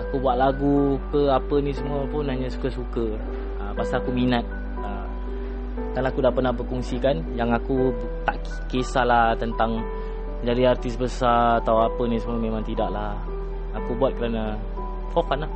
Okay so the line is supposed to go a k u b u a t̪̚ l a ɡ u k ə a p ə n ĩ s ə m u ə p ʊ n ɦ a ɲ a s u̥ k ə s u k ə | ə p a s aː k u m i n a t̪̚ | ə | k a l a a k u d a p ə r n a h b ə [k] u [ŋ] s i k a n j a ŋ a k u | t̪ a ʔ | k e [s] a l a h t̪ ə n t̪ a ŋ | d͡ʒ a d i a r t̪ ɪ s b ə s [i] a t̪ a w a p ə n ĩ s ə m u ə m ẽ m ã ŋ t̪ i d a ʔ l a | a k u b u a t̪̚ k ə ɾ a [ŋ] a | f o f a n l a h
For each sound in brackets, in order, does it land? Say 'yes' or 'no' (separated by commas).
yes, yes, yes, no, no